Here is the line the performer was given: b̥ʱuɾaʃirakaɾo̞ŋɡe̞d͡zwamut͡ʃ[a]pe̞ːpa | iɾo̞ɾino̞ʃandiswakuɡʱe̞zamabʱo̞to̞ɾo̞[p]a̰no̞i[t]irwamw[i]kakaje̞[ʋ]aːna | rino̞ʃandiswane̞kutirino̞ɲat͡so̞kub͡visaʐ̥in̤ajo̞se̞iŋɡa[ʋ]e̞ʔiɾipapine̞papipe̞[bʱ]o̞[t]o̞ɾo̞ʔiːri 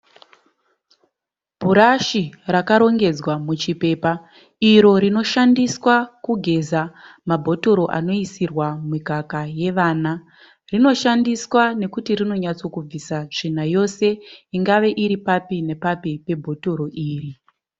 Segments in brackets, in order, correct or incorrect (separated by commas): incorrect, incorrect, incorrect, correct, correct, correct, correct, correct